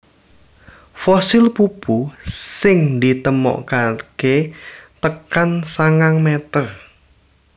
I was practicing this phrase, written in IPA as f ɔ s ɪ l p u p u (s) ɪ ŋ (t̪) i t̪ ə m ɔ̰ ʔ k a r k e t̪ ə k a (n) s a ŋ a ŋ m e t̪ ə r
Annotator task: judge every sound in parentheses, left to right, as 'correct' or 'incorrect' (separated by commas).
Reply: correct, incorrect, correct